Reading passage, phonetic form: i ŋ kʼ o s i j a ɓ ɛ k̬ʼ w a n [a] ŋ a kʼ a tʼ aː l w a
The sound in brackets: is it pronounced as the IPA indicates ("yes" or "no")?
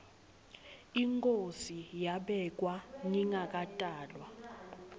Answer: no